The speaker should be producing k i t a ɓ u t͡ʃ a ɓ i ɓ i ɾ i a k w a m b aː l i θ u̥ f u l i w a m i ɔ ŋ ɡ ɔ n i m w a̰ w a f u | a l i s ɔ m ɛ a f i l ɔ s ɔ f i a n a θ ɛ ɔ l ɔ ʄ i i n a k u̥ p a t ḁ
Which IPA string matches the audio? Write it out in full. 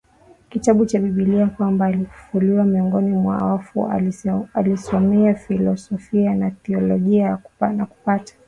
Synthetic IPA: k i t a ɓ u t͡ʃ a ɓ i ɓ i l i a k w a m b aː l i f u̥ f u l i w a m i ɔ ŋ ɡ ɔ n i m w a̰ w a f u | a l i s ɔ m ɛ a f i l ɔ s ɔ f i a n a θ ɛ ɔ l ɔ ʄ i a n a k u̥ p a t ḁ